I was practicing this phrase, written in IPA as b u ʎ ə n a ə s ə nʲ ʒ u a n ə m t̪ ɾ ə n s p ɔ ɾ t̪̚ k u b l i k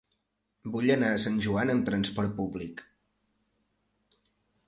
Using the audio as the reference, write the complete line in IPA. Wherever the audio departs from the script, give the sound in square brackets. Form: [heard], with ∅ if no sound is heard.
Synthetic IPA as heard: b u ʎ ə n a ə s [a] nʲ ʒ u a n ə m t̪ ɾ ə n s p ɔ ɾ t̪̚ [p] u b l i k